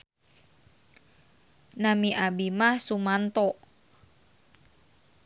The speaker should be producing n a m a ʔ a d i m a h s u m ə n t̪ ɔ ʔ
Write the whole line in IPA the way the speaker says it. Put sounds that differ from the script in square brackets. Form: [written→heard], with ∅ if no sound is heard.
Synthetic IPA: n a m [a→i] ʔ a [d→b] i m a h s u m [ə→a] n t̪ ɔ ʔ